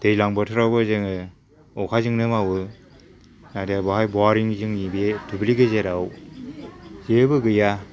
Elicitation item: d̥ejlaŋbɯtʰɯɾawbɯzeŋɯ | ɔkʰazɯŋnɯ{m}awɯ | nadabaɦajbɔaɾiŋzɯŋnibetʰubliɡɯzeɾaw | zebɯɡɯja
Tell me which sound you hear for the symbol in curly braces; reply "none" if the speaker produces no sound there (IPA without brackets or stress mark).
m